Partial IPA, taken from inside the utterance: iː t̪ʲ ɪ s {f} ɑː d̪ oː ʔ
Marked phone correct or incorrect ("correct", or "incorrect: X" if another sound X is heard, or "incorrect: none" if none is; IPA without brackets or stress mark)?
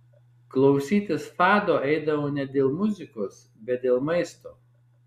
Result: correct